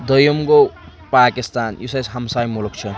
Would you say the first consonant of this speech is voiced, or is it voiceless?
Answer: voiced